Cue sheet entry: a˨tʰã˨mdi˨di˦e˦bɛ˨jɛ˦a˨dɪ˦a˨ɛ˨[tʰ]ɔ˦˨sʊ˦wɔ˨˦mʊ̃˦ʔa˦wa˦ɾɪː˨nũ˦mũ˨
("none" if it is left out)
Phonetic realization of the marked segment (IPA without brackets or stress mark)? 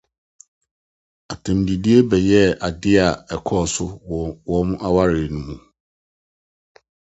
kʰ